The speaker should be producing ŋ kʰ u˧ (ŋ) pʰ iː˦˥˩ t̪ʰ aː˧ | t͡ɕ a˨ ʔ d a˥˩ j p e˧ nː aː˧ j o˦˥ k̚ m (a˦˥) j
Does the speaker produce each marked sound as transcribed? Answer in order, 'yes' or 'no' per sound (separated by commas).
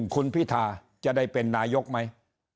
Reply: no, yes